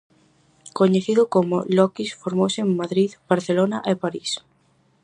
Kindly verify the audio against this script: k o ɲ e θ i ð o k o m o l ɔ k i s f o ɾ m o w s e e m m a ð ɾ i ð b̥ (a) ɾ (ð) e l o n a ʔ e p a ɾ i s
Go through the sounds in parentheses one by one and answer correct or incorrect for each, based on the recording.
correct, incorrect: θ

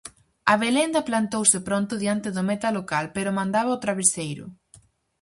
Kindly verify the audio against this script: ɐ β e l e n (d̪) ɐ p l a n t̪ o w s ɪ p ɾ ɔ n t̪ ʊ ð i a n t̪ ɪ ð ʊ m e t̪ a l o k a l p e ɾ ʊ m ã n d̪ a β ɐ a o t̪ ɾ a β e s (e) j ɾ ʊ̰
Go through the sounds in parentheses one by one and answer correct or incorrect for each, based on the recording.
correct, correct

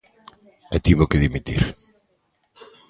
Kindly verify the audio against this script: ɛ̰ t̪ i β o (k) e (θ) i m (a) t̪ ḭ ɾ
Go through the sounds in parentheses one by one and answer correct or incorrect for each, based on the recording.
correct, incorrect: ð, incorrect: i

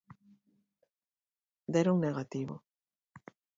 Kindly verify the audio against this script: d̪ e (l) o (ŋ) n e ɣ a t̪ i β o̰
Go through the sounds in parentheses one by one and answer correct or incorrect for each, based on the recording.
incorrect: ɾ, correct

